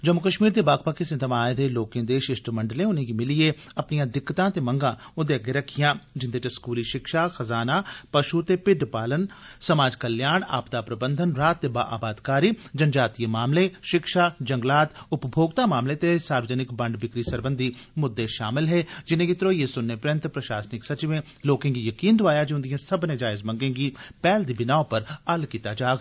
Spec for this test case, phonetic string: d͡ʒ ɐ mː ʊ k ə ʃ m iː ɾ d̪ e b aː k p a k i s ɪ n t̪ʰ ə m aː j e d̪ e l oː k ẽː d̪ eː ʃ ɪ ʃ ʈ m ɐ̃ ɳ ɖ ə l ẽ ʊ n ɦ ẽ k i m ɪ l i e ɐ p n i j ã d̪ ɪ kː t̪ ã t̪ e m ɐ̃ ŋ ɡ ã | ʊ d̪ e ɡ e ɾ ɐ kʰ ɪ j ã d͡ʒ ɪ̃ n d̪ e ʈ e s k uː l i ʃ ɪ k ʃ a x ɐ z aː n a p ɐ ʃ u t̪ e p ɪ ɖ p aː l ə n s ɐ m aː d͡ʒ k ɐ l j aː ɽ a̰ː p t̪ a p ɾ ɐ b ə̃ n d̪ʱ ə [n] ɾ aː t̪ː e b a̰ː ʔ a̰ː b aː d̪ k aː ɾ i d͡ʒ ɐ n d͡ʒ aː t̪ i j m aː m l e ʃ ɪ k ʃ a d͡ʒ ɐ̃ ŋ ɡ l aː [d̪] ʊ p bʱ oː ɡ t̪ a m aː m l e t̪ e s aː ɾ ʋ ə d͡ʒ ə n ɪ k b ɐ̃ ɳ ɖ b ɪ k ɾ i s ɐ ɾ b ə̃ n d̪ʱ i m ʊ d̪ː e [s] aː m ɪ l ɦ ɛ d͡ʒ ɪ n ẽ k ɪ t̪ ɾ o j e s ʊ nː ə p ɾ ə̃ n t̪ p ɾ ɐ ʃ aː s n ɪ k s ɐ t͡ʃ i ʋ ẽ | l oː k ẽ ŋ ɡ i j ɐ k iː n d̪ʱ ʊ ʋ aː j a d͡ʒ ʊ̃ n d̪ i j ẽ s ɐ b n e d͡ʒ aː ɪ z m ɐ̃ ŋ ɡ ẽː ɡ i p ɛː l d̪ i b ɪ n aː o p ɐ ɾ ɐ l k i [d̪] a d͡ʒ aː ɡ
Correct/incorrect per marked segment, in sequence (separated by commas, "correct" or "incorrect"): correct, incorrect, incorrect, incorrect